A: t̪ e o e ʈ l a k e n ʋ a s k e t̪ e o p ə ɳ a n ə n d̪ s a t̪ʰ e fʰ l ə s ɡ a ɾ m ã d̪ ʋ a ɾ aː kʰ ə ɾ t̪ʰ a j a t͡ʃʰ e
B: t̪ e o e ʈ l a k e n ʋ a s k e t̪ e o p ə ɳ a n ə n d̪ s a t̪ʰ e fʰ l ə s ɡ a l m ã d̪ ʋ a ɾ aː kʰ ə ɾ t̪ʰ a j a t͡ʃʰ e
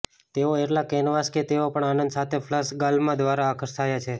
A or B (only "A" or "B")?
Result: B